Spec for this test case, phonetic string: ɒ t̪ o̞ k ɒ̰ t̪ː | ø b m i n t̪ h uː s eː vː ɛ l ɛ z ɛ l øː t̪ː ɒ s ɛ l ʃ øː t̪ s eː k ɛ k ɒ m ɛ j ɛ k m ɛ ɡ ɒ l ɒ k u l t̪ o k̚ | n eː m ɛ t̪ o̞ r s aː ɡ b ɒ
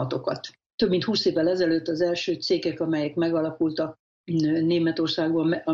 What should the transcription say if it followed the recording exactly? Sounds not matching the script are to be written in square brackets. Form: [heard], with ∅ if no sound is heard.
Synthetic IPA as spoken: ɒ t̪ o̞ k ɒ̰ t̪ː | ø b m i n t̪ h uː s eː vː ɛ l ɛ z ɛ l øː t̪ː ɒ [z] ɛ l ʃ øː t̪ s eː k ɛ k ɒ m ɛ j ɛ k m ɛ ɡ ɒ l ɒ k u l t̪ [ɒ] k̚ | n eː m ɛ t̪ o̞ r s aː ɡ b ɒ